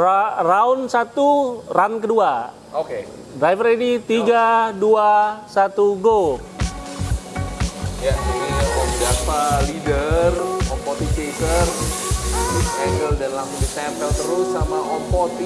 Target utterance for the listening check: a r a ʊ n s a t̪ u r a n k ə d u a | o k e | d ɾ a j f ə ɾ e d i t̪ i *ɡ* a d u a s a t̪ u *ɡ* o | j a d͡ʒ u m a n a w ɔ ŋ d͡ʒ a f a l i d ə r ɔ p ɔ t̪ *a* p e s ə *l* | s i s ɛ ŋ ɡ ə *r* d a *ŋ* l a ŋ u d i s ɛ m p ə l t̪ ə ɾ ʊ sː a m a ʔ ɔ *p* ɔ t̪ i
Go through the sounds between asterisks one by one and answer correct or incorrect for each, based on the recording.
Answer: correct, correct, incorrect: i, incorrect: r, incorrect: l, incorrect: n, correct

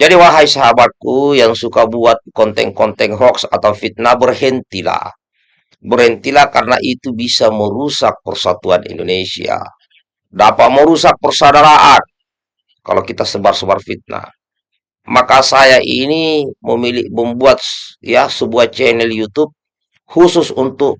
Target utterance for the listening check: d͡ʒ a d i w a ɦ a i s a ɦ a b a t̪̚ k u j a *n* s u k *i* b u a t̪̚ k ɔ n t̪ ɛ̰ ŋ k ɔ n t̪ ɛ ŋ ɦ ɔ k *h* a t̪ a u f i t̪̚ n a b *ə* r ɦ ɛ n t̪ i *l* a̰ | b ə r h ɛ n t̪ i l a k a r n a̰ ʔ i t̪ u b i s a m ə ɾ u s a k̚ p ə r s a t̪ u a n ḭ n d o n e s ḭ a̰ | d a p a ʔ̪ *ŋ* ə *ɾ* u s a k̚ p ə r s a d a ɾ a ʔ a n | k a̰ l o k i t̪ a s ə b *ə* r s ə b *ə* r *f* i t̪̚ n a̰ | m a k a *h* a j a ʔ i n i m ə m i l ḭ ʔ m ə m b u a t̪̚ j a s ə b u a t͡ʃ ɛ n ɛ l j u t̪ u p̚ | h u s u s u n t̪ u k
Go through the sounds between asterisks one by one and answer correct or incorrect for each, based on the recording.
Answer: incorrect: ŋ, incorrect: a, incorrect: s, correct, correct, incorrect: m, correct, incorrect: a, incorrect: a, correct, incorrect: s

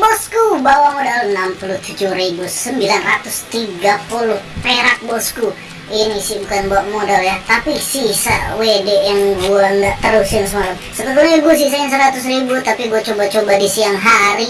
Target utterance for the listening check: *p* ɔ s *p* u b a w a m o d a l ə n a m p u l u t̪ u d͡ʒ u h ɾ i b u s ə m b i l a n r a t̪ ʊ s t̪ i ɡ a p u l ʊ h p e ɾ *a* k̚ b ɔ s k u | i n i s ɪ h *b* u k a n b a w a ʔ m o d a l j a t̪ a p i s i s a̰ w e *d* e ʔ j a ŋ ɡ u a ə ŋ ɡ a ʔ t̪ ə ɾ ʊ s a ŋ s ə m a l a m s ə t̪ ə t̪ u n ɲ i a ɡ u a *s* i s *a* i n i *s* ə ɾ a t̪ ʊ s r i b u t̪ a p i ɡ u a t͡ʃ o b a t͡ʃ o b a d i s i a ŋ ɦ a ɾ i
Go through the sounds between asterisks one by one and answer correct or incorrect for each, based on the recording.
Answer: incorrect: b, incorrect: k, correct, correct, correct, correct, correct, correct

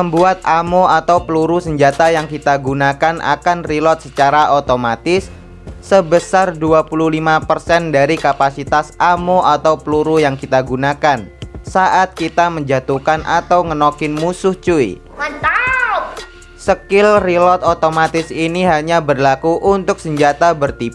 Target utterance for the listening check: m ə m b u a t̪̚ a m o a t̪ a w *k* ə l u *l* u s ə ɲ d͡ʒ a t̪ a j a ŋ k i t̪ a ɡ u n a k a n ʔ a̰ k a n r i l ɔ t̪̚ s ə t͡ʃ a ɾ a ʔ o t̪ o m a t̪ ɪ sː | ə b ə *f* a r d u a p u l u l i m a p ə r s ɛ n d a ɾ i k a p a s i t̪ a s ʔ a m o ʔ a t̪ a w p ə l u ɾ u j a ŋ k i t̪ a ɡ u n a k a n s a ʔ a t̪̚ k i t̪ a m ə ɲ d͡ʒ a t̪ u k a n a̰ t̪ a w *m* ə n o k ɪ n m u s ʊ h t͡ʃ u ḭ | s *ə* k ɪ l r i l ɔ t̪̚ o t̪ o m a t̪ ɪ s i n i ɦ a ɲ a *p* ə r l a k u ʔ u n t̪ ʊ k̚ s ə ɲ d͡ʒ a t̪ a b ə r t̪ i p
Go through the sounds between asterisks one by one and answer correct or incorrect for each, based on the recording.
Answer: incorrect: p, incorrect: ɾ, incorrect: s, incorrect: ŋ, correct, incorrect: b

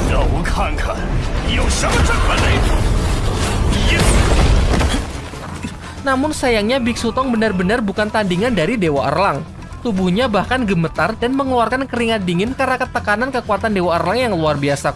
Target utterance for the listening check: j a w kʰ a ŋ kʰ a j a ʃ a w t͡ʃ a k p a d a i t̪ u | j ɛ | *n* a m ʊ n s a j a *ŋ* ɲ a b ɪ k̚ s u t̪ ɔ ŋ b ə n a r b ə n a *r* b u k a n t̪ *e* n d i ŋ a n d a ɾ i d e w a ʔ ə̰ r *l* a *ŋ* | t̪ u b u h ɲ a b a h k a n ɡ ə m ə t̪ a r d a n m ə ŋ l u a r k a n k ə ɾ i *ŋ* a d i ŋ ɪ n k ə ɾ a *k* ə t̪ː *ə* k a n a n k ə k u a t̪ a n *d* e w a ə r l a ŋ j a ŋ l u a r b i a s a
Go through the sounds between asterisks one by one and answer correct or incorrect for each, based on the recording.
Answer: correct, correct, correct, incorrect: a, correct, correct, correct, correct, correct, correct

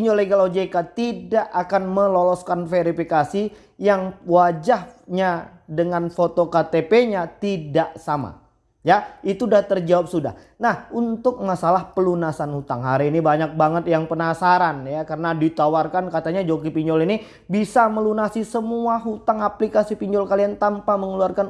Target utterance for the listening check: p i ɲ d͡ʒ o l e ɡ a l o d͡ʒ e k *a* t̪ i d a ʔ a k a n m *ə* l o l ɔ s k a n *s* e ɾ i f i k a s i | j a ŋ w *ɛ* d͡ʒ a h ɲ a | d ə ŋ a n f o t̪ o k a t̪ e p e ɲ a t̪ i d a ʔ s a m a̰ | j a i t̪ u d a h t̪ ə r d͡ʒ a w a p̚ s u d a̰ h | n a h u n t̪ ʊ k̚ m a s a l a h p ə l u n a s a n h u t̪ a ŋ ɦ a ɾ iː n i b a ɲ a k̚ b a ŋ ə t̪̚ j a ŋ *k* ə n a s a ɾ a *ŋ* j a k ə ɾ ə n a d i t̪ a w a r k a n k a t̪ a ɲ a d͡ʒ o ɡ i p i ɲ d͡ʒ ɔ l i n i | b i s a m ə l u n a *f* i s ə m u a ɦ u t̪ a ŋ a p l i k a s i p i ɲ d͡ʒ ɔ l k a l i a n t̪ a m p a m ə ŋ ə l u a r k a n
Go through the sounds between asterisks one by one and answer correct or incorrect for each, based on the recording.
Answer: correct, correct, incorrect: f, incorrect: a, incorrect: p, incorrect: n, incorrect: s

